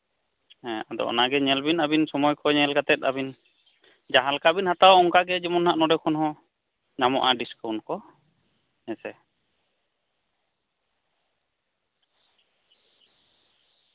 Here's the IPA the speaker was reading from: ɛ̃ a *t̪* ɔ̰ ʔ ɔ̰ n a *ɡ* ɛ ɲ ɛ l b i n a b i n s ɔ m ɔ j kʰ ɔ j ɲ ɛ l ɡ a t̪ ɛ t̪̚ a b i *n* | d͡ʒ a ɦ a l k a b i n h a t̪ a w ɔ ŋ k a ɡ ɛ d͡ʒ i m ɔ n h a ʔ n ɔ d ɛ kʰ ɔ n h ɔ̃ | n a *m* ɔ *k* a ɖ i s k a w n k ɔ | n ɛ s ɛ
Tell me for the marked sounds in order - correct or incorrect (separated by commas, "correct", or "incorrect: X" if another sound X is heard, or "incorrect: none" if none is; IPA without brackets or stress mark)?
incorrect: d̪, correct, correct, correct, incorrect: ʔ